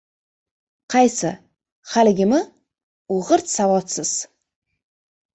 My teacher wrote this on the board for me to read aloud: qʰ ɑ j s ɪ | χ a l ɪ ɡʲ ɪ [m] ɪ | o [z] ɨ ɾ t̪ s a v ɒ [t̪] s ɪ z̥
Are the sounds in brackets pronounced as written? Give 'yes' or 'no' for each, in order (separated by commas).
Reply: yes, no, yes